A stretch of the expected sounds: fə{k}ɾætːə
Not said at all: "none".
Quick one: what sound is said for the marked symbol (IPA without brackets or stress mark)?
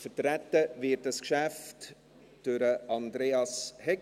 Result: t